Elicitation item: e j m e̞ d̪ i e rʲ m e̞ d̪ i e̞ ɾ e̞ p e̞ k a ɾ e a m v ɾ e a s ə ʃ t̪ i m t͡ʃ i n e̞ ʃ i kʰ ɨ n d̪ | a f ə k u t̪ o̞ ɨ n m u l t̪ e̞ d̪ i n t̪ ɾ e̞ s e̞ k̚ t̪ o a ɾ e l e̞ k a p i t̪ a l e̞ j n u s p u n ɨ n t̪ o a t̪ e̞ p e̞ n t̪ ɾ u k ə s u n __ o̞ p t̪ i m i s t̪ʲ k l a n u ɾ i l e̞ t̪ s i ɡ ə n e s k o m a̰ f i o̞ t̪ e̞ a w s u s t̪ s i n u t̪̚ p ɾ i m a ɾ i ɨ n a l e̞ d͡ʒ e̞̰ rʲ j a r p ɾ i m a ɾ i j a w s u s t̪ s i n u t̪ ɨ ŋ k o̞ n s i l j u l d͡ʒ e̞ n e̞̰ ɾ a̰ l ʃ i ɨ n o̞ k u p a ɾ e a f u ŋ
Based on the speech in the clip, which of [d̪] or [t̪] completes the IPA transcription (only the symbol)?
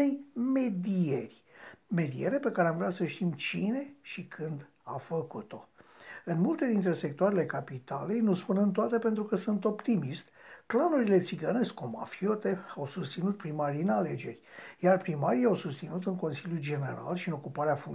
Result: t̪